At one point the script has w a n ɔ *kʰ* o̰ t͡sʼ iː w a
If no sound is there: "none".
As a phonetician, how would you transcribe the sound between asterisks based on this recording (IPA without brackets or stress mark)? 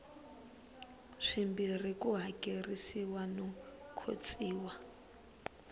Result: kʰ